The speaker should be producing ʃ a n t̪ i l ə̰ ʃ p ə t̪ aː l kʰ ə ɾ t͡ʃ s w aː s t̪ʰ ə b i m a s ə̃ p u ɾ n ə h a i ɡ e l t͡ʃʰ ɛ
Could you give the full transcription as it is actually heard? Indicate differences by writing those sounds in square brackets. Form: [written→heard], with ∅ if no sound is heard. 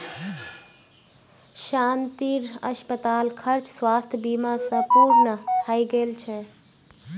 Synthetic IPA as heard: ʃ a n t̪ i [l→ɾ] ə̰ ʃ p ə t̪ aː l kʰ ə ɾ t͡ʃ s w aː s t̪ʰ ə b i m a s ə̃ p u ɾ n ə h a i ɡ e l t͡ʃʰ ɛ

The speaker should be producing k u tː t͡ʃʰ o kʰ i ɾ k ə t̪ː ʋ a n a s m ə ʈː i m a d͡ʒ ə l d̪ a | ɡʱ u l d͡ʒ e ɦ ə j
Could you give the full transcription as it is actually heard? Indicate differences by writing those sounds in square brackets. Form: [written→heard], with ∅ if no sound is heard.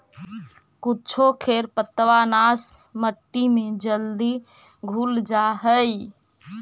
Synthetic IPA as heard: k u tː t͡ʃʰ o kʰ [i→e] ɾ [k→p] ə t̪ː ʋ a n a s m ə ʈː i m [a→e] d͡ʒ ə l d̪ [a→i] | ɡʱ u l d͡ʒ [e→a] ɦ ə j

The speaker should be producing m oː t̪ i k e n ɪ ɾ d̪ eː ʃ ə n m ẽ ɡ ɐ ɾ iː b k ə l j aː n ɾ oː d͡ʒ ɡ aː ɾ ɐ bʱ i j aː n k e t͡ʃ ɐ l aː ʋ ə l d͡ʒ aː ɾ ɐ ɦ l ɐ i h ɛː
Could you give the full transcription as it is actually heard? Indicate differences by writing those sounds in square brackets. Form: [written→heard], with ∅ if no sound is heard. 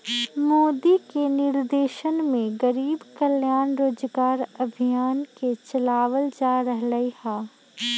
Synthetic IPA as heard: m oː [t̪→d̪] i k e n ɪ ɾ d̪ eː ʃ ə n m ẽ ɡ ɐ ɾ iː b k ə l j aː n ɾ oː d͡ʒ ɡ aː ɾ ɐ bʱ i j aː n k e t͡ʃ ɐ l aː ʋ ə l d͡ʒ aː ɾ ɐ ɦ l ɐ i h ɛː

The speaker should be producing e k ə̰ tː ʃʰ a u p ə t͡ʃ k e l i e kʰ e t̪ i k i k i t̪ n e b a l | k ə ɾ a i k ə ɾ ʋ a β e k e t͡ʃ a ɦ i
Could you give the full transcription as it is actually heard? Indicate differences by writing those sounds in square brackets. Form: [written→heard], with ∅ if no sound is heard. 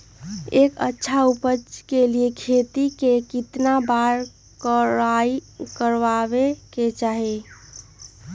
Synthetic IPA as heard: e k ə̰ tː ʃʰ a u p ə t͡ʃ k e l i e kʰ e t̪ i k [i→e] k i t̪ n [e→a] b a [l→ɾ] | k ə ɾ a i k ə ɾ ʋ a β e k e t͡ʃ a ɦ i

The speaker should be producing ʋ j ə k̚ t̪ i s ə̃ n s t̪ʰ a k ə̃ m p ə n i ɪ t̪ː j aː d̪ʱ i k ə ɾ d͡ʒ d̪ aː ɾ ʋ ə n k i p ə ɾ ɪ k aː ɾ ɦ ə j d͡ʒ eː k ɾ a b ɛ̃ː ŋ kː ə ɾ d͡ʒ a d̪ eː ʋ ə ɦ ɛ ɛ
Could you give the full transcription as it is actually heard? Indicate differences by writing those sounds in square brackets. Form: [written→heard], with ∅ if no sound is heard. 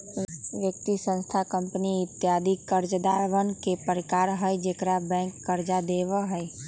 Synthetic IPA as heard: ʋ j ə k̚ t̪ i s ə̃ n s t̪ʰ a k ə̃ m p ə n i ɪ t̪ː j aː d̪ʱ i k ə ɾ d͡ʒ d̪ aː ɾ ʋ ə n k [i→e] p ə ɾ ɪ k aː ɾ ɦ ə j d͡ʒ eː k ɾ a b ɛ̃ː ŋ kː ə ɾ d͡ʒ a d̪ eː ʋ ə ɦ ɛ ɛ

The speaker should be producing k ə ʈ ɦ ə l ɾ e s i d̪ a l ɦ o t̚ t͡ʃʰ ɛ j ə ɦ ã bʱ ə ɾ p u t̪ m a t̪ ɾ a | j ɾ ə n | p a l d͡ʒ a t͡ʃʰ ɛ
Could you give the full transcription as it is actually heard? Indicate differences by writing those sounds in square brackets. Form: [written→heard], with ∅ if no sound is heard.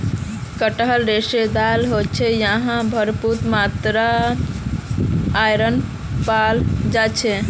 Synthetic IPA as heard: k ə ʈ ɦ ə l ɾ e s [i→e] d̪ a l ɦ o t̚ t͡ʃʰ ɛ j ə ɦ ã bʱ ə ɾ p u t̪ m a t̪ ɾ a | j ɾ ə n | p a l d͡ʒ a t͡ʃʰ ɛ

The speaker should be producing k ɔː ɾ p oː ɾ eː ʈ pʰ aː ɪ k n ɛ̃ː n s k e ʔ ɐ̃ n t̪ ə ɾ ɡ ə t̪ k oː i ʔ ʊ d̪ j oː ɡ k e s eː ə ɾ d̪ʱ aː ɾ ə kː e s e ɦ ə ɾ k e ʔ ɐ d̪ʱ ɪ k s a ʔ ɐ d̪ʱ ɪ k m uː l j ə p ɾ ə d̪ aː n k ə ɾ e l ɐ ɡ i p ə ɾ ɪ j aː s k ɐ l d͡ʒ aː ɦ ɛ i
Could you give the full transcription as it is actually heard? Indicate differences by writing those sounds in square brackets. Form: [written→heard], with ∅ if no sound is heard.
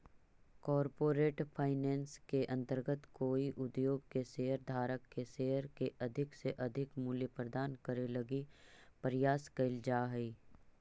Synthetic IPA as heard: k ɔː ɾ p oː ɾ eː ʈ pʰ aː ɪ [k→∅] n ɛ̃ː n s k e ʔ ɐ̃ n t̪ ə ɾ ɡ ə t̪ k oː i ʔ ʊ d̪ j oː ɡ k e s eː ə ɾ d̪ʱ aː ɾ ə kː e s e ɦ ə ɾ k e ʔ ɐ d̪ʱ ɪ k s [a→e] ʔ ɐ d̪ʱ ɪ k m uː l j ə p ɾ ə d̪ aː n k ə ɾ e l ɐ ɡ i p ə ɾ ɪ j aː s k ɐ l d͡ʒ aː ɦ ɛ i

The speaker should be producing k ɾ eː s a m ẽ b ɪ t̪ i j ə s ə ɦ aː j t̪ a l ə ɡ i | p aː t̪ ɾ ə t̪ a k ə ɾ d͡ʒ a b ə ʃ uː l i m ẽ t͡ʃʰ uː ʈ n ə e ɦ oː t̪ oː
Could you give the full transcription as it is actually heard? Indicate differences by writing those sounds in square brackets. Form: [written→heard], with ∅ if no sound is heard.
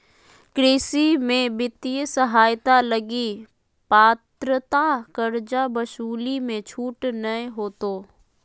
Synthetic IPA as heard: k ɾ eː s [a→i] m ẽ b ɪ t̪ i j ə s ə ɦ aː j t̪ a l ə ɡ i | p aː t̪ ɾ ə t̪ a k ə ɾ d͡ʒ a b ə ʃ uː l i m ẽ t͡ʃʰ uː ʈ n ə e ɦ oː t̪ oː

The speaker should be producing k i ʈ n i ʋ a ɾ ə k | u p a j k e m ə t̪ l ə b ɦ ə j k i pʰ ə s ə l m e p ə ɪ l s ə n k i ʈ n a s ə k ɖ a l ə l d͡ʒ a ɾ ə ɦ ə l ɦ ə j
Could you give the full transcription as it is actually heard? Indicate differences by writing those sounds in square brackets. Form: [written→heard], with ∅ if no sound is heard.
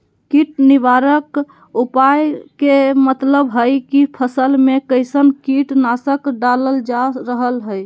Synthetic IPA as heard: k i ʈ n i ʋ a ɾ ə k | u p a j k e m ə t̪ l ə b ɦ ə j k i pʰ ə s ə l m e [p→k] ə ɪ [l→∅] s ə n k i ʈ n a s ə k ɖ a l ə l d͡ʒ a ɾ ə ɦ ə l ɦ ə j

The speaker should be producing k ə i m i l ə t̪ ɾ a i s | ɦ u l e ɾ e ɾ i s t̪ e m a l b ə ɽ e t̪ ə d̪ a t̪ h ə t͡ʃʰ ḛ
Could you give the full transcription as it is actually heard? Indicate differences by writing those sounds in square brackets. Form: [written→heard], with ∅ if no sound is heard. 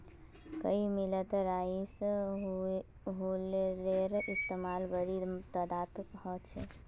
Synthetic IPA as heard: k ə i m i l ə t̪ ɾ a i s | ɦ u l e ɾ e ɾ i s t̪ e m a l b ə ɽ [e→i] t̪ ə d̪ a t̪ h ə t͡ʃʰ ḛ

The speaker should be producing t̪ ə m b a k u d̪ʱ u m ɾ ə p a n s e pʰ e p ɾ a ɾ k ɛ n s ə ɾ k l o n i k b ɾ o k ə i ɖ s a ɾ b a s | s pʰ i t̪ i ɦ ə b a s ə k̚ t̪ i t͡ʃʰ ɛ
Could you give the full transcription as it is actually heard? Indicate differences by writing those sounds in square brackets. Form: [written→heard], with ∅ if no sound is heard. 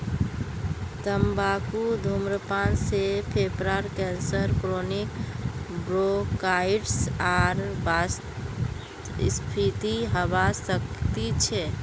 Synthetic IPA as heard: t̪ ə m b a k u d̪ʱ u m ɾ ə p a n s e pʰ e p ɾ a ɾ k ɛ n s ə ɾ k [l→ɾ] o n i k b ɾ o k [ə→a] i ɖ s a ɾ b a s | s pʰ i t̪ i ɦ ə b a s ə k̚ t̪ i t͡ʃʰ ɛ

